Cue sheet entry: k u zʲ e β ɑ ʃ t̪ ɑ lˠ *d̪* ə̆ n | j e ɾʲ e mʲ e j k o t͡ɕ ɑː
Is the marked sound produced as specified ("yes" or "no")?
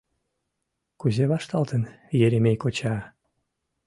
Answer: no